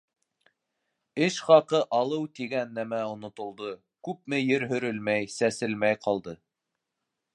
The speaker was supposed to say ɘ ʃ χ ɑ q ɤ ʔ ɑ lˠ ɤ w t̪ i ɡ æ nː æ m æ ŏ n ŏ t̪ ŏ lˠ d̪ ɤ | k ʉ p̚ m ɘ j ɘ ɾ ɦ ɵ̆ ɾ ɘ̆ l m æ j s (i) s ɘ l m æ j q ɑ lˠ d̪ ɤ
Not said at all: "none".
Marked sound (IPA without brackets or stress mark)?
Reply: æ